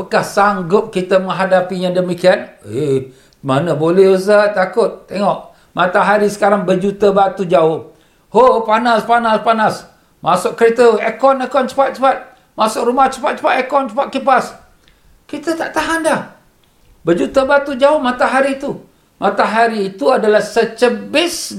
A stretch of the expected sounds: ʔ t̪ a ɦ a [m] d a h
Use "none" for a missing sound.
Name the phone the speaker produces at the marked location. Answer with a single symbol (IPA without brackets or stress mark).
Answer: n